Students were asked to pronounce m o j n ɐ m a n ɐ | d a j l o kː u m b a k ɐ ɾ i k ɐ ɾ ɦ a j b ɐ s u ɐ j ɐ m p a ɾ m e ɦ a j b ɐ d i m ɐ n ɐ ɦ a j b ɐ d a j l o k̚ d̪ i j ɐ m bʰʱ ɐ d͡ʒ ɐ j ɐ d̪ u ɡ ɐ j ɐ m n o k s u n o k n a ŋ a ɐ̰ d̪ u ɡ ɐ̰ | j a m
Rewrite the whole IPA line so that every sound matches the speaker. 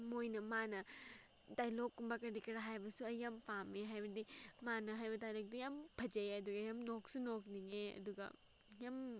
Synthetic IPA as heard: m o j n ɐ m a n ɐ | d a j l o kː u m b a k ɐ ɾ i k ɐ ɾ ɦ a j b ɐ s u ɐ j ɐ m p a m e ɦ a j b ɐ d i m a n ɐ ɦ a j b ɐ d a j l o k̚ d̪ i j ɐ m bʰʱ ɐ d͡ʒ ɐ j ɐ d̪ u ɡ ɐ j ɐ m n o k s u n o k n i ŋ e ɐ̰ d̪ u ɡ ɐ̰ | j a m